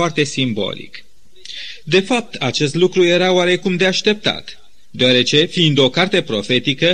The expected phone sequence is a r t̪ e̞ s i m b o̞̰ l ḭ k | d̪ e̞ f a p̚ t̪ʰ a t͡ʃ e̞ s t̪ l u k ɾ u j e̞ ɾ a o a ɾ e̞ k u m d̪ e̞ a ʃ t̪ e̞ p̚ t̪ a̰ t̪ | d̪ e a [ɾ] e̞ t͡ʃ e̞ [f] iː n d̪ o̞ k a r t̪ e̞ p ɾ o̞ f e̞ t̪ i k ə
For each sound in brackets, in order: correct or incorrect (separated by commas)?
correct, correct